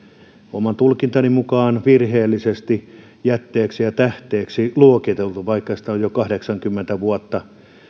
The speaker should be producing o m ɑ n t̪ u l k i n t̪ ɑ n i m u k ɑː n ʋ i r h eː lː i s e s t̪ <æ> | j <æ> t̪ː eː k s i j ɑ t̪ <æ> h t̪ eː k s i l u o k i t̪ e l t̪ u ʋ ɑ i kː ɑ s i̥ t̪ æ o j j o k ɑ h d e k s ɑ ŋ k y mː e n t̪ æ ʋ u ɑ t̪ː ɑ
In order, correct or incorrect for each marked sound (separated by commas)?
incorrect, correct, correct